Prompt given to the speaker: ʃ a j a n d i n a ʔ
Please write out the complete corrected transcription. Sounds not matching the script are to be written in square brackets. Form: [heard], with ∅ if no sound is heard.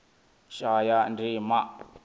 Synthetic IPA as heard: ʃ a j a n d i [m] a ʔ